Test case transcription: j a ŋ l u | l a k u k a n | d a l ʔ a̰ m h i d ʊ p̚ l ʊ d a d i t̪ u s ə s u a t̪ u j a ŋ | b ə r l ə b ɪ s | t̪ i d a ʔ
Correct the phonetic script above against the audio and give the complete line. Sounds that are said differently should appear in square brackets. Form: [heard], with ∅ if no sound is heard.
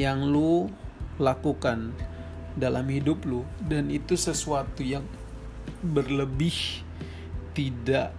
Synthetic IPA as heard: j a ŋ l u | l a k u k a n | d a l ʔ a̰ m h i d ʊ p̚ l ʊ d a [n] i t̪ u s ə s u a t̪ u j a ŋ | b ə r l ə b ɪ [h] | t̪ i d a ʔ